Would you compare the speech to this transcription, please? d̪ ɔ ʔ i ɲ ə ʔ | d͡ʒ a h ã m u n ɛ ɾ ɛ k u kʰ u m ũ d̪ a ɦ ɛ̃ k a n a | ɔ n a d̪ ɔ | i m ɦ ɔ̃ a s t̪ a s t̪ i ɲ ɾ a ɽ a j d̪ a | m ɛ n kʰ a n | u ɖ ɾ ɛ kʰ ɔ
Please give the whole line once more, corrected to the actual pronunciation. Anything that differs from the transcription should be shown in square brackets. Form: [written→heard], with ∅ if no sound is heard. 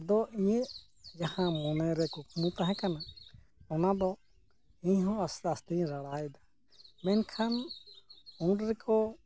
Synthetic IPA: d̪ ɔ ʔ i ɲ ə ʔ | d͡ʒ a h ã m [u→ɔ] n ɛ ɾ ɛ k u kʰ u m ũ [d̪→t̪] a ɦ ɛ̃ k a n a | ɔ n a d̪ ɔ | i [m→ɲ] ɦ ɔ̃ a s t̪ a s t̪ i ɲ ɾ a ɽ a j d̪ a | m ɛ n kʰ a n | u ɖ ɾ ɛ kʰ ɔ